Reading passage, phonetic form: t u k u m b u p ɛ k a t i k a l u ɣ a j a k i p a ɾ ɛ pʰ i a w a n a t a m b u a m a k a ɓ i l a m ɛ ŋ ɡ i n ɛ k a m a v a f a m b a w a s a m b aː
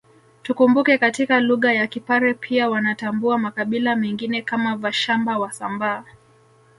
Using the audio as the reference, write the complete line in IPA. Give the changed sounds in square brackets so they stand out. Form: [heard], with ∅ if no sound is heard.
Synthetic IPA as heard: t u k u m b u [k] ɛ k a t i k a l u ɣ a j a k i p a ɾ ɛ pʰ i a w a n a t a m b u a m a k a ɓ i l a m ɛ ŋ ɡ i n ɛ k a m a v a [ʃ] a m b a w a s a m b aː